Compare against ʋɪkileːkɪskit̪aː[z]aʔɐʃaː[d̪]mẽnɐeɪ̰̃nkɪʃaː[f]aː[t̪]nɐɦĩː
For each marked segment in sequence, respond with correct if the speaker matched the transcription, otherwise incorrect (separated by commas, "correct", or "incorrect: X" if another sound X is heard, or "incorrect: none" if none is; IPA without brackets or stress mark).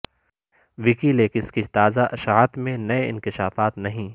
correct, incorrect: t̪, correct, correct